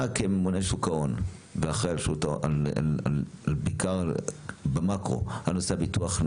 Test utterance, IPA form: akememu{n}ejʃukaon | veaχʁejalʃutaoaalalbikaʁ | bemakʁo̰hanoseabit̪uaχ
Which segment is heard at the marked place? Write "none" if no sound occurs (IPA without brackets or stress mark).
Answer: n